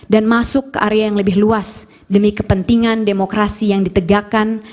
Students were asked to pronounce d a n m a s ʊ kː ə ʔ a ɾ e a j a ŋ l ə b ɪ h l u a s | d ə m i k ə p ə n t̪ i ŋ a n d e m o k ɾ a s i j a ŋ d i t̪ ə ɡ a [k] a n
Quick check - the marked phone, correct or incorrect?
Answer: correct